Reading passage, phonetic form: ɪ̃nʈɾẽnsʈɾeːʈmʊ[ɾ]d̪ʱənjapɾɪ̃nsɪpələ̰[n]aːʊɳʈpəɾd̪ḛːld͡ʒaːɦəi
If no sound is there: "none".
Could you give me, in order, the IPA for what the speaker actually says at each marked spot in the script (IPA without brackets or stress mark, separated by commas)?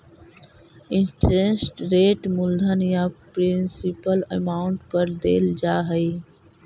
l, m